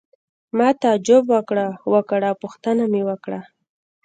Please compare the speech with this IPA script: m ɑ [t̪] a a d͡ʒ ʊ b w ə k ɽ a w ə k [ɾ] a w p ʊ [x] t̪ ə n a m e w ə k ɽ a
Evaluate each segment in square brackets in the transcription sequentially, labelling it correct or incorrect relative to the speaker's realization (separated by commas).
correct, incorrect, correct